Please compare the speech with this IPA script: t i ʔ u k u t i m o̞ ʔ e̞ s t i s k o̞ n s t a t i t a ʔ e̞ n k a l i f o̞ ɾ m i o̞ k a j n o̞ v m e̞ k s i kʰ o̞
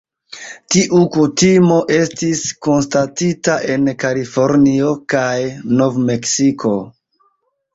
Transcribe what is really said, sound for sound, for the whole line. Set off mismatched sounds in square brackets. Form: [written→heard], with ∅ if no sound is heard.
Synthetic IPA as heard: t i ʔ u k u t i m o̞ ʔ e̞ s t i s k o̞ n s t a t i t a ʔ e̞ n k a l i f o̞ ɾ [m→n] i o̞ k a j n o̞ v m e̞ k s i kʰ o̞